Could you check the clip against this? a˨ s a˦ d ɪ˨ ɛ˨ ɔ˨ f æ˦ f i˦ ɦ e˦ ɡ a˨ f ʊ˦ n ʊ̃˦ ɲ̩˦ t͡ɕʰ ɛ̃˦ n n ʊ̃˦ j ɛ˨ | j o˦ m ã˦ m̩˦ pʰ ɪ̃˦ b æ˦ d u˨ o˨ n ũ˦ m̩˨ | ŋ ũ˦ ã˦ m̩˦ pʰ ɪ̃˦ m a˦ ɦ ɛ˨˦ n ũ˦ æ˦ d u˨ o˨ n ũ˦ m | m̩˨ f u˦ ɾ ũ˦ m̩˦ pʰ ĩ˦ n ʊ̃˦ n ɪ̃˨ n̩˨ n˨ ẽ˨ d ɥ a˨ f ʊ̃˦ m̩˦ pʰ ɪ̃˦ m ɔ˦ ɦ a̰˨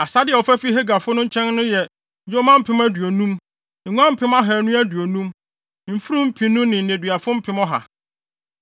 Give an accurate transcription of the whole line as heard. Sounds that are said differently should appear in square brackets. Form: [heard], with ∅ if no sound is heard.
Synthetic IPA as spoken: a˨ s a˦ d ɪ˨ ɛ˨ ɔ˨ f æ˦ f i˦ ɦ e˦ ɡ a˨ f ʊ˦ n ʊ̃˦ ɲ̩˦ t͡ɕʰ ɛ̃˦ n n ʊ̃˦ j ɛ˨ | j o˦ m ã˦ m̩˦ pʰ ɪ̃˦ [m] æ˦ d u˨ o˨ n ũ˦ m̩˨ | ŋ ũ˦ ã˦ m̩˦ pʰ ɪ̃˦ m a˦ ɦ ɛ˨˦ n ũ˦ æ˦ d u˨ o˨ n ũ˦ m | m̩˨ f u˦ ɾ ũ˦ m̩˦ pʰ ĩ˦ n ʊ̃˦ n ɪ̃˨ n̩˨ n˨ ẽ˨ d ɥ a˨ f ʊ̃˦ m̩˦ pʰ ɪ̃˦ m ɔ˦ ɦ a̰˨

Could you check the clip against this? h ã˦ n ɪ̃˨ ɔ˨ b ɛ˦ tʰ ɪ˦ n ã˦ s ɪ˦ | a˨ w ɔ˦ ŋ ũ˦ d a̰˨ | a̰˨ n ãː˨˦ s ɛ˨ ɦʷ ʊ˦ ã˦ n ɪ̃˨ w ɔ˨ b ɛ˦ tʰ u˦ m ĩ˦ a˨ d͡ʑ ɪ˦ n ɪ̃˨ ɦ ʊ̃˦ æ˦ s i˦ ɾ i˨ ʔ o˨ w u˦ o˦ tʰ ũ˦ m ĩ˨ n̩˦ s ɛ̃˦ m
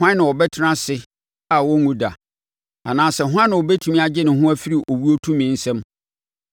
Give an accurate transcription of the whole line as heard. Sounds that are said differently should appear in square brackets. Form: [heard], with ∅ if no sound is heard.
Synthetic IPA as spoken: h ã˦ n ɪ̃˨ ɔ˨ b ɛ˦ tʰ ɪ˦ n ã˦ s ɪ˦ | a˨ w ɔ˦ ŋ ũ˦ d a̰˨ | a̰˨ n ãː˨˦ s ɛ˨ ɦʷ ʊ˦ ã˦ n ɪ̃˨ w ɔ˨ b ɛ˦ tʰ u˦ m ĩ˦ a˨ d͡ʑ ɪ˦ n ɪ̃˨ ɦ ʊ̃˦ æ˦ [f] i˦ ɾ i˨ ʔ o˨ w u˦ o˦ tʰ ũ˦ m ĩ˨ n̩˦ s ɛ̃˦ m

